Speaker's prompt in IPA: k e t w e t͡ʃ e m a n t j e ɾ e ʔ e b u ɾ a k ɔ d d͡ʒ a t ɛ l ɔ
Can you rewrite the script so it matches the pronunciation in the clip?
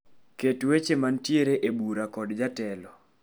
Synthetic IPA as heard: k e t w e t͡ʃ e m a n t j e ɾ e ʔ e b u ɾ a k ɔ d d͡ʒ a t ɛ l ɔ